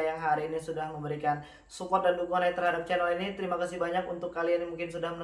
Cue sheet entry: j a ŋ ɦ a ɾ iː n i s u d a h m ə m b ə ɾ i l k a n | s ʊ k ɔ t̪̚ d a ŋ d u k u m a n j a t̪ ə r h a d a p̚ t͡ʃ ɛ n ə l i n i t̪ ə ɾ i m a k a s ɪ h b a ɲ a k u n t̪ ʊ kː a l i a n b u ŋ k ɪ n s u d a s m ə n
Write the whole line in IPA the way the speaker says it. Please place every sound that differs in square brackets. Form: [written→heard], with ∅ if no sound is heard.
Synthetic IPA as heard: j a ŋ ɦ a ɾ iː n i s u d a h m ə m b ə ɾ i [l→∅] k a n | s [ʊ→u] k ɔ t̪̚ d a [ŋ→n] d u k u [m→ŋ] a n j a t̪ ə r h a d a p̚ t͡ʃ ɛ n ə l i n i t̪ ə ɾ i m a k a s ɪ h b a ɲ a k u n t̪ ʊ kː a l i a n [b→m] u ŋ k ɪ n s u d a [s→h] m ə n

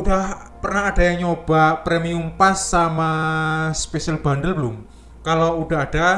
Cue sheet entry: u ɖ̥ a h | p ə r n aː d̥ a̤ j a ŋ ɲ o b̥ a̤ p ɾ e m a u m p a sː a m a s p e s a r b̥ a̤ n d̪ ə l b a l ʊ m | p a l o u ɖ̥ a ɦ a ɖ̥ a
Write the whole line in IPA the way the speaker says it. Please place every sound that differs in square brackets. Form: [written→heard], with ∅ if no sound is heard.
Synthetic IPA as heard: u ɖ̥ a h | p ə r n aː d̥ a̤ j a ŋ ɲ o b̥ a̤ p ɾ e m [a→i] u m p a sː a m a s p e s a [r→l] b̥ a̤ n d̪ ə l b [a→ə] l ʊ m | [p→k] a l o u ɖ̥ a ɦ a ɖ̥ a

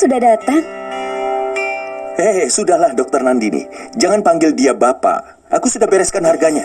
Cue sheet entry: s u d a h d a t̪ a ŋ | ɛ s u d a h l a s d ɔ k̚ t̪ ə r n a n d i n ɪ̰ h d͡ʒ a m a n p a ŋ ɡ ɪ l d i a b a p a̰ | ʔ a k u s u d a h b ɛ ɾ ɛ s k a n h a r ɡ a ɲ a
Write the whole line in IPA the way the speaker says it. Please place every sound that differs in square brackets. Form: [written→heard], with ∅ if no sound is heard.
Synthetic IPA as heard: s u d a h d a t̪ a ŋ | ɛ s u d a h l a [s→h] d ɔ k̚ t̪ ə r n a n d i n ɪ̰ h d͡ʒ a [m→ŋ] a n p a ŋ ɡ ɪ l d i a b a p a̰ | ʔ a k u s u d a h b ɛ ɾ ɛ s k a n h a r ɡ a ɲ a

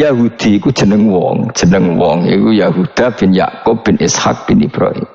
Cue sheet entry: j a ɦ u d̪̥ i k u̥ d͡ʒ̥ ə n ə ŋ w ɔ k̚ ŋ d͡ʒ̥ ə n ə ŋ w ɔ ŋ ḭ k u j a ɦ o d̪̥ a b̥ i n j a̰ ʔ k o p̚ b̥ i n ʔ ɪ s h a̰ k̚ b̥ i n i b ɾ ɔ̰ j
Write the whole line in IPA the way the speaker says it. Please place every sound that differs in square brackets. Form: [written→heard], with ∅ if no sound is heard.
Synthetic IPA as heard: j a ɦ u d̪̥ i k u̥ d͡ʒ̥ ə n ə ŋ w ɔ [k̚→∅] ŋ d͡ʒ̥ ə n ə ŋ w ɔ ŋ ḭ k u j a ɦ [o→u] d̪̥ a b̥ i n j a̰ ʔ k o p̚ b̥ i n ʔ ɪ s h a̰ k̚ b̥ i n i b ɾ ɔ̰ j

